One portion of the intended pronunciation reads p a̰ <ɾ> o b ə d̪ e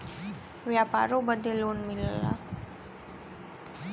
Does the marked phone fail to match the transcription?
no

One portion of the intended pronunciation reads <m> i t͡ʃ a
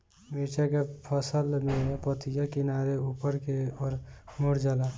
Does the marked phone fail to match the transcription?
no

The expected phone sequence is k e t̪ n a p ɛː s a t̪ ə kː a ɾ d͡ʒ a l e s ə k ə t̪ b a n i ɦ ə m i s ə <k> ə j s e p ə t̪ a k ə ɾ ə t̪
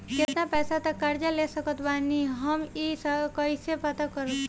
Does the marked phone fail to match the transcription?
no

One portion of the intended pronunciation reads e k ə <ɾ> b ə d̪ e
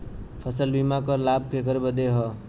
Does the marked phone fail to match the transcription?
no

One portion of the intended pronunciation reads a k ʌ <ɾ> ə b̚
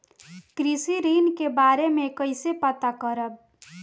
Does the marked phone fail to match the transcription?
no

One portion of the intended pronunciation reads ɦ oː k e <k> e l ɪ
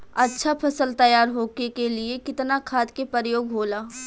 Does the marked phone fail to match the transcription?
no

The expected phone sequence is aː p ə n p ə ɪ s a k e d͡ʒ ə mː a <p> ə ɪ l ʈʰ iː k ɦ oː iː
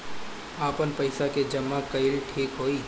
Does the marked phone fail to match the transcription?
yes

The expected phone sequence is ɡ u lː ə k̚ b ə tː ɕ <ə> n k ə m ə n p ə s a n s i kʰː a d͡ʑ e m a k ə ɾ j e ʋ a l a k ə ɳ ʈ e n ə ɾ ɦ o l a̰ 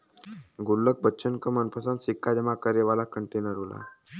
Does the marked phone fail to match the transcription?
no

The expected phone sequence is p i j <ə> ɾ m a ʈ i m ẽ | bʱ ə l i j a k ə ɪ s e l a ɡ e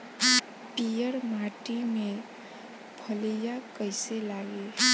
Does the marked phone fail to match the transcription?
no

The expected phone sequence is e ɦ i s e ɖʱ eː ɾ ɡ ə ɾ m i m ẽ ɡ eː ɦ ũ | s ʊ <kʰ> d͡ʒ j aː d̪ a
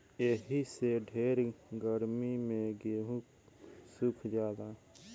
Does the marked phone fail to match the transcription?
no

